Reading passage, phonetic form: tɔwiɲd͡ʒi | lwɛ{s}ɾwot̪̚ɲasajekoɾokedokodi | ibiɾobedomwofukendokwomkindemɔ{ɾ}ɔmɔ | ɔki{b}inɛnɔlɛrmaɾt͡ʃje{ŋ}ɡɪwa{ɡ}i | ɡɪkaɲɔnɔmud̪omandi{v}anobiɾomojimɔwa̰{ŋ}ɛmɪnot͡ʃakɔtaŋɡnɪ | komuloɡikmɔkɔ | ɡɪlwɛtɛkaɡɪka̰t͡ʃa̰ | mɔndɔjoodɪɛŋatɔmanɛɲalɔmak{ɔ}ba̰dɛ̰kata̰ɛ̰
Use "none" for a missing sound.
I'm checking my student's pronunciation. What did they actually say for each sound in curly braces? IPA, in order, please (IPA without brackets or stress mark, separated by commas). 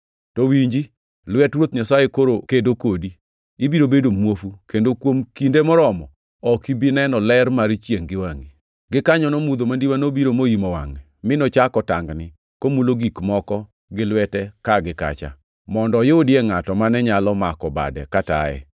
t, ɾ, b, ŋ, ŋ, w, ŋ, ɔ